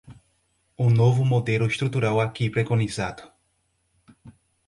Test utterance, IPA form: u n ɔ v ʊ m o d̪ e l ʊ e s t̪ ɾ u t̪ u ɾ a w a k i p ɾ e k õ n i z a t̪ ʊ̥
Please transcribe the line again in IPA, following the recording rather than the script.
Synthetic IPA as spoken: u n o v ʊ m o d̪ e l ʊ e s t̪ ɾ u t̪ u ɾ a w a k i p ɾ e k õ n i z a d̪ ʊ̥